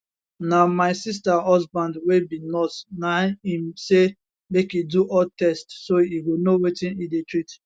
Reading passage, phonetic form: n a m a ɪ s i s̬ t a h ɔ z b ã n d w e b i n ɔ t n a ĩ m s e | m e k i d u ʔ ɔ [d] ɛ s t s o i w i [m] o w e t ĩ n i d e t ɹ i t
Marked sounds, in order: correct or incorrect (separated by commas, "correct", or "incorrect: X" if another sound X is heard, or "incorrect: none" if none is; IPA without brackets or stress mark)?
incorrect: t, incorrect: n